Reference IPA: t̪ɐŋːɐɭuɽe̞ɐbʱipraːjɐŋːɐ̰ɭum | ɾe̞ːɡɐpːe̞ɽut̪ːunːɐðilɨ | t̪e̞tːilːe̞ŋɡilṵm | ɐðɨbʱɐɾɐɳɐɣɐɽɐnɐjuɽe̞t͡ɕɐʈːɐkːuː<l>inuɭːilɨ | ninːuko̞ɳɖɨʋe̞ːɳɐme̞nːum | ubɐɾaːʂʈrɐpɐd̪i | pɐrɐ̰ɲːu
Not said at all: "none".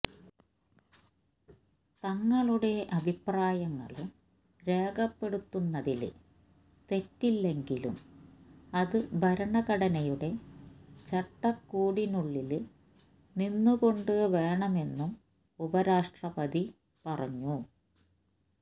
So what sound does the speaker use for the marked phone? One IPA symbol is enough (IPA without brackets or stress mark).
ɽ